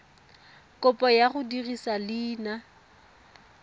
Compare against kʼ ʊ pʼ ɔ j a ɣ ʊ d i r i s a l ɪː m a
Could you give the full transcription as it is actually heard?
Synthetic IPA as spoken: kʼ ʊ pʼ ɔ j a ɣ ʊ d i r i s a l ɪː n a